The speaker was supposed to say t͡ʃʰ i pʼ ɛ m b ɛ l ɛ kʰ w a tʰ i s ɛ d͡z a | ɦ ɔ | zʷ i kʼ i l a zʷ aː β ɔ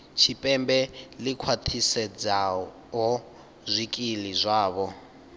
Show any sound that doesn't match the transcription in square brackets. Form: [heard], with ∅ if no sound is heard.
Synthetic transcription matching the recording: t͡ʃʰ i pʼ ɛ m b ɛ l [i] kʰ w a tʰ i s ɛ d͡z a | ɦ ɔ | zʷ i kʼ i l [i] zʷ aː β ɔ

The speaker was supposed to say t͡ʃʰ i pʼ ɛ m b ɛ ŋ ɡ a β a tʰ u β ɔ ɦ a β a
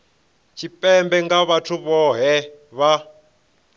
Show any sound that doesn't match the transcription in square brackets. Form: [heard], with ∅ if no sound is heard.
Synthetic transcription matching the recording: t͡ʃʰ i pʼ ɛ m b ɛ ŋ ɡ a β a tʰ u β ɔ ɦ [ɛ] β a

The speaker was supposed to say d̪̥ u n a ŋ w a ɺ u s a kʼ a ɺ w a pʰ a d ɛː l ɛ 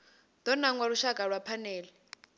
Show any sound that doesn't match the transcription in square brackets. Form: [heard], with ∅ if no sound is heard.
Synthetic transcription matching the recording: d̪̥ [ɔ] n a ŋ w a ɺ u [ʃ] a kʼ a ɺ w a pʰ a [n] ɛː l ɛ

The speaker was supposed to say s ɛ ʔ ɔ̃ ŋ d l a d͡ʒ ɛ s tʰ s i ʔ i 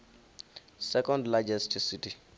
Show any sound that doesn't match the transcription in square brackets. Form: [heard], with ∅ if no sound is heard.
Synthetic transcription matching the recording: s ɛ [k] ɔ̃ [n] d l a d͡ʒ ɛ s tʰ s i [t] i

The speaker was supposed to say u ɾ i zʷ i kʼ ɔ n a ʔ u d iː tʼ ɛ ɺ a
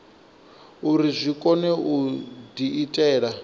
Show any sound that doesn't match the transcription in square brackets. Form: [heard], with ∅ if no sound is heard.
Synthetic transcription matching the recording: u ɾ i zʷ i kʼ ɔ n [ɛ] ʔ u d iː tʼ [ɛː] ɺ a

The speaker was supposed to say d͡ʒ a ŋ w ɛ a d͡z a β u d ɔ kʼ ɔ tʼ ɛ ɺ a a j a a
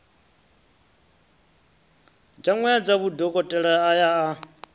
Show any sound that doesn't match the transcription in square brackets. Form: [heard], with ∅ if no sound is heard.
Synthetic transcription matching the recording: d͡ʒ a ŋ w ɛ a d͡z a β u d ɔ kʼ ɔ tʼ ɛ ɺ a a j a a

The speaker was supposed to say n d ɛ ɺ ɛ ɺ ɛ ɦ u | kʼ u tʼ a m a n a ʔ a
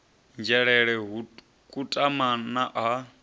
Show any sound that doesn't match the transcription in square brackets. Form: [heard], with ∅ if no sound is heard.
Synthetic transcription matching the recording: n [d͡ʒ] ɛ ɺ ɛ ɺ ɛ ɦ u | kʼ u tʼ a m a n a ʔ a

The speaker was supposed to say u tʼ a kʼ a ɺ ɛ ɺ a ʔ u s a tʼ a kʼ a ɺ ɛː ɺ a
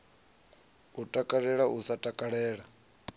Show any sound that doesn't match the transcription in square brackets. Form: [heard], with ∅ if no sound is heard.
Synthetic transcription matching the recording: u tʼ a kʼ a ɺ ɛ ɺ a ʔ u s a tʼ a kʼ a ɺ ɛː ɺ a

